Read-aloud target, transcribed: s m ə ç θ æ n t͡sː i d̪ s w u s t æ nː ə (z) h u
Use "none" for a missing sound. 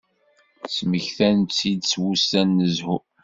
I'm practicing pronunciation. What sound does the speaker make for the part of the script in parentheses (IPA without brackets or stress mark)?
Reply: z